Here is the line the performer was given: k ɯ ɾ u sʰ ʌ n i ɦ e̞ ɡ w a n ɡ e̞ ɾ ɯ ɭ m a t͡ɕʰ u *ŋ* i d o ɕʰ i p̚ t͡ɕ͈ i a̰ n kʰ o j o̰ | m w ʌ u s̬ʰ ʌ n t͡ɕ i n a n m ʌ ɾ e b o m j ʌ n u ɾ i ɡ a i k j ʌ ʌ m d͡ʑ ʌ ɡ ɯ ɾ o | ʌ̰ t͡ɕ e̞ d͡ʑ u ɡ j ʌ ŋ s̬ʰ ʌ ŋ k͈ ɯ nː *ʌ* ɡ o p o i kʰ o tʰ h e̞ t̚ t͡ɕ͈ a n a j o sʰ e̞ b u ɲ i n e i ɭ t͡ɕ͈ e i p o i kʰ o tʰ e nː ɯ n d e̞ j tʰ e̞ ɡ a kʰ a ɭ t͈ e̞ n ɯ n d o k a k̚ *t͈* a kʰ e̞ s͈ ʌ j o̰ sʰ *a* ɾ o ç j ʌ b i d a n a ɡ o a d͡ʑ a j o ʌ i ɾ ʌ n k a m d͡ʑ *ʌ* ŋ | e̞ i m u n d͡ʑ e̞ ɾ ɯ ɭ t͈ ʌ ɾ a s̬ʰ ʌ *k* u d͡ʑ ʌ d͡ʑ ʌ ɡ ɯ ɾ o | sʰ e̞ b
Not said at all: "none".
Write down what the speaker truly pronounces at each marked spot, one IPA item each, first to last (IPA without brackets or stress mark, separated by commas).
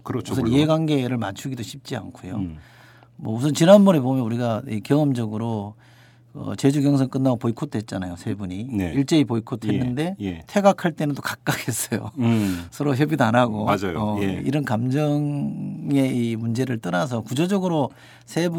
ɡ, a, k͈, ʌ, ʌ, k